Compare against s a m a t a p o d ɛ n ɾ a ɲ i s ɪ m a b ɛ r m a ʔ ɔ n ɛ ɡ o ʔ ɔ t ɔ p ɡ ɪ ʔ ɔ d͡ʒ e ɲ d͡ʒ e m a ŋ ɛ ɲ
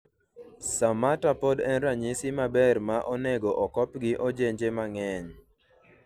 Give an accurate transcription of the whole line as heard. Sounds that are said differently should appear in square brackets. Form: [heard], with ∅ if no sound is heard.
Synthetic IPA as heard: s a m a t a p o d ɛ n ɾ a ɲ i s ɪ m a b ɛ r m a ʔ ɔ n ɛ ɡ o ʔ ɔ [k] ɔ p ɡ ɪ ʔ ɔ d͡ʒ e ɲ d͡ʒ e m a ŋ ɛ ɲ